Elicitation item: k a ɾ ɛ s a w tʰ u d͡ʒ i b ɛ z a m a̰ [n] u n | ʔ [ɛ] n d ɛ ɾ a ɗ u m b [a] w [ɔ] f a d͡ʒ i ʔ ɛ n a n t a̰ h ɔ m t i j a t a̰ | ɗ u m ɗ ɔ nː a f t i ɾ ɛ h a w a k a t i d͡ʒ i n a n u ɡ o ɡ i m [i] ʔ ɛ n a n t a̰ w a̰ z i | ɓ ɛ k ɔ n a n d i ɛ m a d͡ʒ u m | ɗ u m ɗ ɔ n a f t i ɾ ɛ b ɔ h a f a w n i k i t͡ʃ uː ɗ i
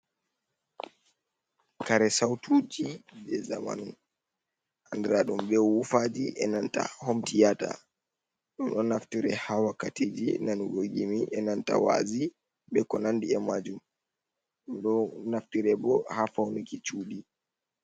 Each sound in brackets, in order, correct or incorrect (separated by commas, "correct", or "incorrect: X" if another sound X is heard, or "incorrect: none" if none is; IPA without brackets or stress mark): correct, incorrect: a, incorrect: ɛ, incorrect: u, correct